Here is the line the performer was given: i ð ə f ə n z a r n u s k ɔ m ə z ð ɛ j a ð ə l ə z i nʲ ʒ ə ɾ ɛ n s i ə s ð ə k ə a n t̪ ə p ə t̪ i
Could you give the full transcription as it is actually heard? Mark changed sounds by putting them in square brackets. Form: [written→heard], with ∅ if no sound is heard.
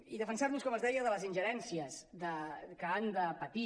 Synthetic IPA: i ð ə f ə n [z→s] a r n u s k ɔ m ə z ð ɛ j [a→ə] ð ə l ə z i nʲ ʒ ə ɾ ɛ n s i ə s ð ə k ə a n [t̪→d̪] ə p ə t̪ i